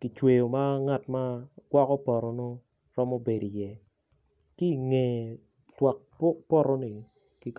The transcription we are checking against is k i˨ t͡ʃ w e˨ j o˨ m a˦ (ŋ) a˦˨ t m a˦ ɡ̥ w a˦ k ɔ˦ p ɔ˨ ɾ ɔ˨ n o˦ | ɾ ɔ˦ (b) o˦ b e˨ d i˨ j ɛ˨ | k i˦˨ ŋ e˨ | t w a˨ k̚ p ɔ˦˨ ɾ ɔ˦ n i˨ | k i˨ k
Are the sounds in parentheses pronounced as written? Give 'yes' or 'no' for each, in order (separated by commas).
yes, no